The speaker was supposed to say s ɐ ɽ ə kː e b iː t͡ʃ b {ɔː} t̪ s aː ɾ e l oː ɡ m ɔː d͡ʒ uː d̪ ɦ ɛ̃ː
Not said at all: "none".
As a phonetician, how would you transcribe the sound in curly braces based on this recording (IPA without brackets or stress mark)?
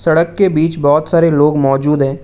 ɔː